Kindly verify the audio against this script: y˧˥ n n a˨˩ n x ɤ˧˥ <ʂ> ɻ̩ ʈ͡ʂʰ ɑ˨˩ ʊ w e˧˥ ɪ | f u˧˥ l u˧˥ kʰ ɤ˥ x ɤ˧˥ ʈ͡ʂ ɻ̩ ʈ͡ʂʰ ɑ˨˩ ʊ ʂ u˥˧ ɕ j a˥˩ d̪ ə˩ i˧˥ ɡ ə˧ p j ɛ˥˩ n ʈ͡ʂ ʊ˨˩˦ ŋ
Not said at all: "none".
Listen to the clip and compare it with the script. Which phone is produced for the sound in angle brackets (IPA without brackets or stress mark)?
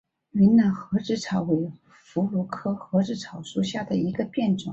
ʈ͡ʂ